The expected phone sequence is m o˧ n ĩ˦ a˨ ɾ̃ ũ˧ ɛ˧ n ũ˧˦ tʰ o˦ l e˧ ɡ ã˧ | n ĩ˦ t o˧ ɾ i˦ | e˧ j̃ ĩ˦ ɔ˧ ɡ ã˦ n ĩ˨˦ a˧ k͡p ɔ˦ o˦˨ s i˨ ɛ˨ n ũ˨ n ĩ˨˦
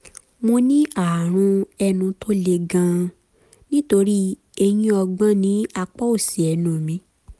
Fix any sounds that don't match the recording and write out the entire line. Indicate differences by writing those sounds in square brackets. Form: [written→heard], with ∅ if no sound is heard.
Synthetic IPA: m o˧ n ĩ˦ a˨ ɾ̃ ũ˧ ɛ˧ n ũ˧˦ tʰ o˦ l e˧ ɡ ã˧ | n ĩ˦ t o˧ ɾ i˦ | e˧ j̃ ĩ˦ ɔ˧ [ɡ→ɡ͡b] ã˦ n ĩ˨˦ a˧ k͡p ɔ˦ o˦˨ s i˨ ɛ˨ n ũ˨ [n→m] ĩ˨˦